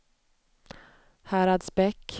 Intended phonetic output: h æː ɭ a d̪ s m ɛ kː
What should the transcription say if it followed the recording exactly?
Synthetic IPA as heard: h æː ɾ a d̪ s b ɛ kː